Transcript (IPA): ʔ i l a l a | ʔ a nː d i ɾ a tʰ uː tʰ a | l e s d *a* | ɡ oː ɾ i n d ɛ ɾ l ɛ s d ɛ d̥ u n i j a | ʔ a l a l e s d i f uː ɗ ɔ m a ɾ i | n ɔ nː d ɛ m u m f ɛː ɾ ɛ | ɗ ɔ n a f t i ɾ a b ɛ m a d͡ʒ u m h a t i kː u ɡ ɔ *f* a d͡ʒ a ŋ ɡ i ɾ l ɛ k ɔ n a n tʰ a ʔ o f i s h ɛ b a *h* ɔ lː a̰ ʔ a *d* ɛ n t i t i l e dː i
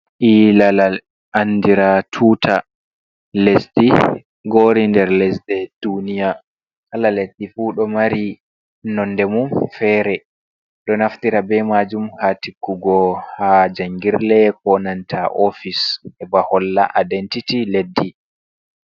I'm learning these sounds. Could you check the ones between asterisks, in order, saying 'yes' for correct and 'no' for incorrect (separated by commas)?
no, no, yes, yes